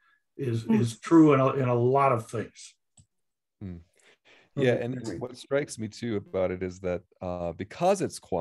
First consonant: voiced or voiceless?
voiced